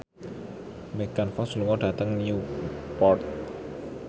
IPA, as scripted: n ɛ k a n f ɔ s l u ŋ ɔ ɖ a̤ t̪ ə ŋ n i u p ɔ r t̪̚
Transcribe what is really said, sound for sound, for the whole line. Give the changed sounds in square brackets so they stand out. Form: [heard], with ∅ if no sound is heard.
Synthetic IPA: [m] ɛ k a n f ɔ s l u ŋ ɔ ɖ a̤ t̪ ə ŋ n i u p ɔ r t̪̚